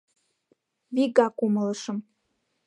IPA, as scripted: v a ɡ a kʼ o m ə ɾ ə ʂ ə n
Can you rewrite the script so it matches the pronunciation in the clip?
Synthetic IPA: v i ɡ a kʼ u m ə l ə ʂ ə m